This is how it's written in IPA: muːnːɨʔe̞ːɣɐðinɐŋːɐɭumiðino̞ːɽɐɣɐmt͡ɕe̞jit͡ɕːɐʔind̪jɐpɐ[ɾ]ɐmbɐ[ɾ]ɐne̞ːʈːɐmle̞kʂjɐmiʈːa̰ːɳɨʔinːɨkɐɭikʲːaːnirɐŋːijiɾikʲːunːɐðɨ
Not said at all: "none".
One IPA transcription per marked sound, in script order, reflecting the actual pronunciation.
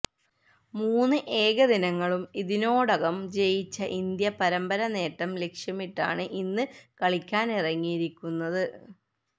ɾ, ɾ

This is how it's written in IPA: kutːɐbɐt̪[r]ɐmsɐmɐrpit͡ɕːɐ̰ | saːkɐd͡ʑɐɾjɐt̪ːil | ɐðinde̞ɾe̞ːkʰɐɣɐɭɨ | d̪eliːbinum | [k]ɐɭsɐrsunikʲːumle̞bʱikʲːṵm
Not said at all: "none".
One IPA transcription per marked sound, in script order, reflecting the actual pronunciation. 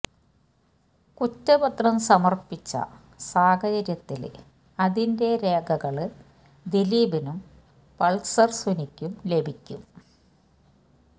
r, p

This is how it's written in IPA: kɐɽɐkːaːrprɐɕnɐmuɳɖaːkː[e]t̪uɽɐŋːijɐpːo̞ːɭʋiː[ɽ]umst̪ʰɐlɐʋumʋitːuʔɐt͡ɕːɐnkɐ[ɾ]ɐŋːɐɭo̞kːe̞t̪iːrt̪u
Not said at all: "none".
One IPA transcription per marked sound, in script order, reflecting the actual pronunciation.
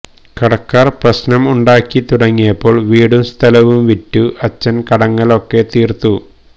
i, ɽ, ɽ

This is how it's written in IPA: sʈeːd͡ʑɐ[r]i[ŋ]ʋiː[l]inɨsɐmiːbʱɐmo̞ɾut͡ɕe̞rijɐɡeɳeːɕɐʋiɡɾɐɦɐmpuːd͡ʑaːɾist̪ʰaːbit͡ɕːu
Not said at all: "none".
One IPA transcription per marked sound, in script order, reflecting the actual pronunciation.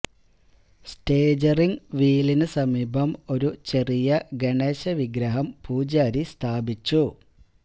r, ŋ, l

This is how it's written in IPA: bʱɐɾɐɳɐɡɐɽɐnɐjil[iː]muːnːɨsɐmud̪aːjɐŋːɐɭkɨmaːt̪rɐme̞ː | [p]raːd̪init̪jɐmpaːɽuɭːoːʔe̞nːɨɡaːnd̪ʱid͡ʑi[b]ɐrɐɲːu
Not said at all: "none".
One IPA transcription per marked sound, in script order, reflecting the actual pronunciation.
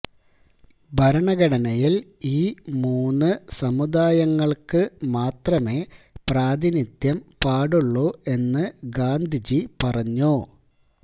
iː, p, p

